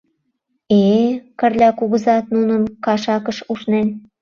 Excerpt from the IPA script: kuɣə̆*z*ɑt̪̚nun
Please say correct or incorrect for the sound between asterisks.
correct